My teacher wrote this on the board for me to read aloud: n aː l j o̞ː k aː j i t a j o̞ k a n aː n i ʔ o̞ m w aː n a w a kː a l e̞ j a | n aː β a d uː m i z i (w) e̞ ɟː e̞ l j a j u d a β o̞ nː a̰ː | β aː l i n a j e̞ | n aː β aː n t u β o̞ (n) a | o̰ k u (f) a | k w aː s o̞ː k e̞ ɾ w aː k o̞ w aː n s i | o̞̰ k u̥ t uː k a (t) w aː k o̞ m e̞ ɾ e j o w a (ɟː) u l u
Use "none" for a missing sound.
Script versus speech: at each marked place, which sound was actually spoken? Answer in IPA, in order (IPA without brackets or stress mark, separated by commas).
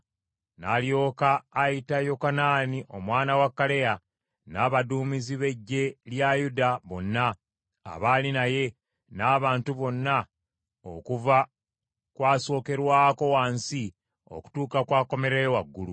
β, nː, v, k, ɡː